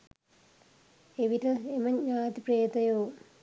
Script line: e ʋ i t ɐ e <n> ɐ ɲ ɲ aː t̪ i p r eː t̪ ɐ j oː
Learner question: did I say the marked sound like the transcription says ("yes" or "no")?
no